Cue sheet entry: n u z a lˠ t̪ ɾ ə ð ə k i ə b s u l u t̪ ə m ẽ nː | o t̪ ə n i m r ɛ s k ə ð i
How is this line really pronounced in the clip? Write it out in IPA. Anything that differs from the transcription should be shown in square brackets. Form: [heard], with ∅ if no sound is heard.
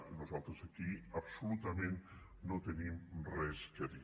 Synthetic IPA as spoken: n u z a lˠ t̪ ɾ ə [z] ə k i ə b s u l u t̪ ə m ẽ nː | o t̪ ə n i m r ɛ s k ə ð i